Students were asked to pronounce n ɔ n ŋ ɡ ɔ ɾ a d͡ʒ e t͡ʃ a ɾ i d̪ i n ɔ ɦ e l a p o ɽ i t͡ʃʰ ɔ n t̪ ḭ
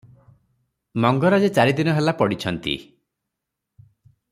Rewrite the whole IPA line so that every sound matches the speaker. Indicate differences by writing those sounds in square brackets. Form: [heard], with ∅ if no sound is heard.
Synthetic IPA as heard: [m] ɔ [∅] ŋ ɡ ɔ ɾ a d͡ʒ e t͡ʃ a ɾ i d̪ i n ɔ ɦ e l a p [ɔ] ɽ i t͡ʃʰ ɔ n t̪ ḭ